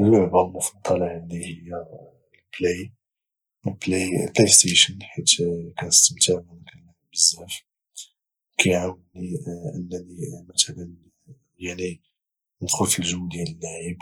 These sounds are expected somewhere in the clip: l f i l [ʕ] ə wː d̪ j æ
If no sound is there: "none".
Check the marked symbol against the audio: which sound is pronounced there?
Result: ʒ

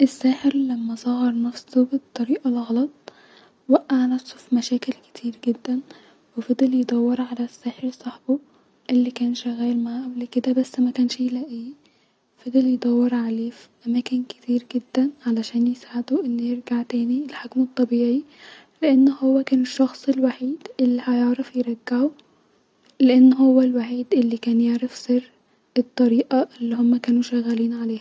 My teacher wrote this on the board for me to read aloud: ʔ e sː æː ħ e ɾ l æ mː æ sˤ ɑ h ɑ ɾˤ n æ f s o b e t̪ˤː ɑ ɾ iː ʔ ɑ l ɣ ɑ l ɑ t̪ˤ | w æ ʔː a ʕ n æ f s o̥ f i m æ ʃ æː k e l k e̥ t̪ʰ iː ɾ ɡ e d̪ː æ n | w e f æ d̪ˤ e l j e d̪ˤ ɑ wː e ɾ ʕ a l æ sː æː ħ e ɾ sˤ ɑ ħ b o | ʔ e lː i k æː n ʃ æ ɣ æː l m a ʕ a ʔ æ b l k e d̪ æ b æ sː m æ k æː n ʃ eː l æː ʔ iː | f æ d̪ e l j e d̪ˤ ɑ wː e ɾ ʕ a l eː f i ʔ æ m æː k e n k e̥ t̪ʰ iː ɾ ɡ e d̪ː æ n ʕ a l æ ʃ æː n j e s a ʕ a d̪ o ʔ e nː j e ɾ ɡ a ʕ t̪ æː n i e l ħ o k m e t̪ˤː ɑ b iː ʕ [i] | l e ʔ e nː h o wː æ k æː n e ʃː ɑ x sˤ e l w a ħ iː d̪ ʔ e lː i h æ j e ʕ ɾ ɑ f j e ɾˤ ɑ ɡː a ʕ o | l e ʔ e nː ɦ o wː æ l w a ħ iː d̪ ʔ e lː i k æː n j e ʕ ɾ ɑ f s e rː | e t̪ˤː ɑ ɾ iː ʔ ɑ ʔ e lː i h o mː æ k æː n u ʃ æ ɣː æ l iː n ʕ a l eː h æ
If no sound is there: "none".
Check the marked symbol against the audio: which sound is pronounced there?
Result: i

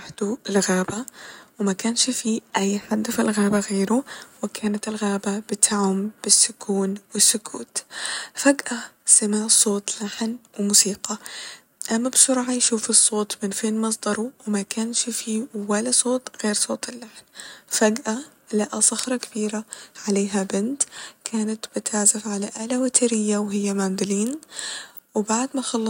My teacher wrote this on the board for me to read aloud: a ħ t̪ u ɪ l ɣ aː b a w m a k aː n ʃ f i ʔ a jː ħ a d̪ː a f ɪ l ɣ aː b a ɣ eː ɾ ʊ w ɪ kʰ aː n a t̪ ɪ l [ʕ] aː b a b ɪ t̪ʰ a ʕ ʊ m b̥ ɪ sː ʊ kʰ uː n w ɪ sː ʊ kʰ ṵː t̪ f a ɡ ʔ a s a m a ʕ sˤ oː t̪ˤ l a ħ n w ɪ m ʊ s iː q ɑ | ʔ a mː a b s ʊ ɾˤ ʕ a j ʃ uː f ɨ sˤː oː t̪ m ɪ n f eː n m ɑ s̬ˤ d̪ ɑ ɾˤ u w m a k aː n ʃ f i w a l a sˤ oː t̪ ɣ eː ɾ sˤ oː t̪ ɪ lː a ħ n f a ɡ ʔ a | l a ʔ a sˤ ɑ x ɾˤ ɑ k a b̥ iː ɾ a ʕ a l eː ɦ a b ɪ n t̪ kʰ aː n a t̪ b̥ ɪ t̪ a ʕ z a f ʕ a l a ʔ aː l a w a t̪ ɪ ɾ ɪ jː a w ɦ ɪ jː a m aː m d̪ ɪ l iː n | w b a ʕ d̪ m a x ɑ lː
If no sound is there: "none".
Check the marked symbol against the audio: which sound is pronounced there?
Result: ɣ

